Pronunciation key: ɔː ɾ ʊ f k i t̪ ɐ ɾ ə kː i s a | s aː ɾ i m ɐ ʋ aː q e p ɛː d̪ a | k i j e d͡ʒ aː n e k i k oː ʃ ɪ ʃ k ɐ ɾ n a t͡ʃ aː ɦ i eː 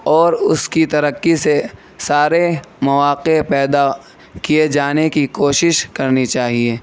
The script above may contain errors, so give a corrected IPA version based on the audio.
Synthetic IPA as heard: ɔː ɾ ʊ s k i t̪ ɐ ɾ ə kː i s e | s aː ɾ e m ɐ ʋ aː q e p ɛː d̪ a | k i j e d͡ʒ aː n e k i k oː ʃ ɪ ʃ k ɐ ɾ n i t͡ʃ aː ɦ i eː